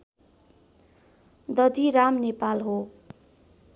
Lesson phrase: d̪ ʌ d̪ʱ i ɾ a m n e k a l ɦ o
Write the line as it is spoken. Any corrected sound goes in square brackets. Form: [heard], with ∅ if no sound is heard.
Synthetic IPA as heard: d̪ ʌ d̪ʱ i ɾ a m n e [p] a l ɦ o